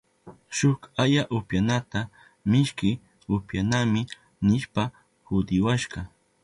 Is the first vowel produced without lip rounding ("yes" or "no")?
no